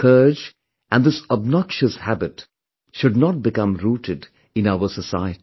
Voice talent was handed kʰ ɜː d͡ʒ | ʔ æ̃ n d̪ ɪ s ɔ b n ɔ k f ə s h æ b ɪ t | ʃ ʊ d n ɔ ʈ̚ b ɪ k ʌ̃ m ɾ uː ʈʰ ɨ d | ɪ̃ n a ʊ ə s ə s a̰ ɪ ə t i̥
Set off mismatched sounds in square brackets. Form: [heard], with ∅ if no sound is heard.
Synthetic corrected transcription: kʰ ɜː d͡ʒ | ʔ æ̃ n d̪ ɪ s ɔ b n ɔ k [ʃ] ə s h æ b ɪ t | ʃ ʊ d n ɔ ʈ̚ b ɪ k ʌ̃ m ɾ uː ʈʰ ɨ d | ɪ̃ n a ʊ ə s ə s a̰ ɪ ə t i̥